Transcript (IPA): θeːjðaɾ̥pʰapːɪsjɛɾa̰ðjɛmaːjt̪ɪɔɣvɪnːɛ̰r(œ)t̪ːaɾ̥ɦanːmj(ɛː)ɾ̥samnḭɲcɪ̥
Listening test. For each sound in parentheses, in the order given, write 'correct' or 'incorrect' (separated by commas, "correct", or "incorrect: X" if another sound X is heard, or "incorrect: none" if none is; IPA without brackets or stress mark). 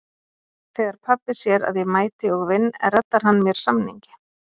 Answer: incorrect: ɛ, incorrect: ɛ